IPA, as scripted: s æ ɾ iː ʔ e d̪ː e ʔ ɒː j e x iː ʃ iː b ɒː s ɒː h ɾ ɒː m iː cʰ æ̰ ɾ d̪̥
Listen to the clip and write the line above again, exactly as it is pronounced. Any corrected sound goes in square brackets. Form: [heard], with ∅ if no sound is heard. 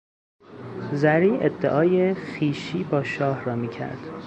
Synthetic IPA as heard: [z] æ ɾ iː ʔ e d̪ː e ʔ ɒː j e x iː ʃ iː b ɒː [ʃ] ɒː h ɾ ɒː m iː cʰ æ̰ ɾ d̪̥